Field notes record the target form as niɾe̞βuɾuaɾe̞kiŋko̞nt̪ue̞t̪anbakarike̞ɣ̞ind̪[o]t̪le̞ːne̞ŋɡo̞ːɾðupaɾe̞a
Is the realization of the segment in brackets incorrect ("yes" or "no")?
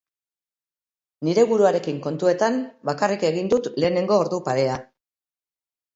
yes